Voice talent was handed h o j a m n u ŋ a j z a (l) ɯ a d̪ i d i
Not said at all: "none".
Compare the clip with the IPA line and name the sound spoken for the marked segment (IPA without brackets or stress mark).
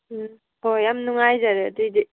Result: ɾ